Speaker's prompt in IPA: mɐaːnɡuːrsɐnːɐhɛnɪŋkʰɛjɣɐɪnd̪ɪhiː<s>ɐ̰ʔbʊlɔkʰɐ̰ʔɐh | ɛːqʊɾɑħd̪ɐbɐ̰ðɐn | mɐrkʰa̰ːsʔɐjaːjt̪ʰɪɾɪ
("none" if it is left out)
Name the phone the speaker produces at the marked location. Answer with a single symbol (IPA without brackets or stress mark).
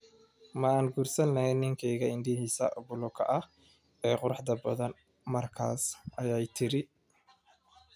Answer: s